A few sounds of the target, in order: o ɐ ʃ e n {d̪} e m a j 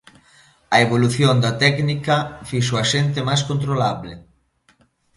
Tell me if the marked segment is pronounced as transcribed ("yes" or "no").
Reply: no